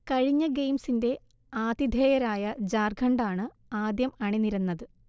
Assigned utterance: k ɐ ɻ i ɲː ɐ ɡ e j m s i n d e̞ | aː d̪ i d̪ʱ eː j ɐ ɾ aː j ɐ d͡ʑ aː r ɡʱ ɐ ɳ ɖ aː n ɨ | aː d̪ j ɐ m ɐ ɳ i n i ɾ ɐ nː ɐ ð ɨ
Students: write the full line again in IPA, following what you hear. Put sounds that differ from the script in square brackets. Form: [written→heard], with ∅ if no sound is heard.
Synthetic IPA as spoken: k ɐ ɻ i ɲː ɐ ɡ e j m s i n d e̞ | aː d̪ i d̪ʱ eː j ɐ ɾ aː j ɐ d͡ʑ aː r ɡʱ ɐ ɳ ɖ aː [n→ɳ] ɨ | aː d̪ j ɐ m ɐ ɳ i n i ɾ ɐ nː ɐ ð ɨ